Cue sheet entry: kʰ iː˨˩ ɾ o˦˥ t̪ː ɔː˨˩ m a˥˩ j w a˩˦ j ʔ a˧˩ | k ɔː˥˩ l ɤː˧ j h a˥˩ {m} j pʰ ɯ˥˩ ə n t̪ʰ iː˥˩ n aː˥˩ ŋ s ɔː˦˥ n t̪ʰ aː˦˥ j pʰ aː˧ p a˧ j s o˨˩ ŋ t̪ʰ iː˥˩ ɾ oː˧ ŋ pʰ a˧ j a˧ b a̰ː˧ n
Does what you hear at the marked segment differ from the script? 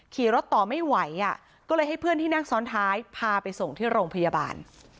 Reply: yes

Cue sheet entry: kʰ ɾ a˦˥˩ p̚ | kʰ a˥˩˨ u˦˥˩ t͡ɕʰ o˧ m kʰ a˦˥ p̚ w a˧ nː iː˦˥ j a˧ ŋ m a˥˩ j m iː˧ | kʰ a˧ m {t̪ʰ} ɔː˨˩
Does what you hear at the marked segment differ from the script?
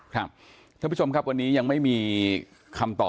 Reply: yes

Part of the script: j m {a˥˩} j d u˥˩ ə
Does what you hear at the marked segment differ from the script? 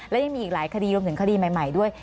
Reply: yes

